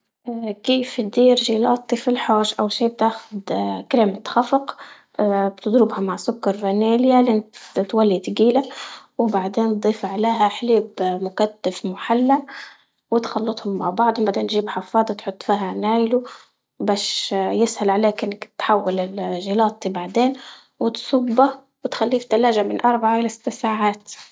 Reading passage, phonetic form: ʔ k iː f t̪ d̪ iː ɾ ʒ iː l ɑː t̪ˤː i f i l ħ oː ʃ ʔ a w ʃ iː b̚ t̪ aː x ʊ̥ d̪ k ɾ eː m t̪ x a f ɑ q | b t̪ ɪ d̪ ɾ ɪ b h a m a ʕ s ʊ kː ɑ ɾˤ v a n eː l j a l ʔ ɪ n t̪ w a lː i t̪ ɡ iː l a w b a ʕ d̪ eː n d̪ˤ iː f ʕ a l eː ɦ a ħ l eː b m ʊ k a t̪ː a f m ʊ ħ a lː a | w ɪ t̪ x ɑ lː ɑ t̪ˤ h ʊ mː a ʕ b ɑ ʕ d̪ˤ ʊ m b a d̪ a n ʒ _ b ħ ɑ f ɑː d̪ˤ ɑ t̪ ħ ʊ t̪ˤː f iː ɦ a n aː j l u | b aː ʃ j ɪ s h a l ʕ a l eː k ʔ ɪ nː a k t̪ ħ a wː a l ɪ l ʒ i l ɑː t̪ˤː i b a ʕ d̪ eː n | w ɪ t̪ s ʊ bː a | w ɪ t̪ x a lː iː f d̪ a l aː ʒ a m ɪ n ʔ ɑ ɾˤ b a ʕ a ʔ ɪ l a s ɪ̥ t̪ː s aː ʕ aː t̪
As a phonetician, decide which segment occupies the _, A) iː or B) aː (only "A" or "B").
A